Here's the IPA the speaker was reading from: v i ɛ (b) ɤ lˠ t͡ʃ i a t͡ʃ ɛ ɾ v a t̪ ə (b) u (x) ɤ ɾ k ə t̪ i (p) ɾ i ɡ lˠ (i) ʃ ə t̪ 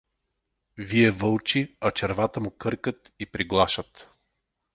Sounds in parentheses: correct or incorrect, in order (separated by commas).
incorrect, incorrect, incorrect, correct, incorrect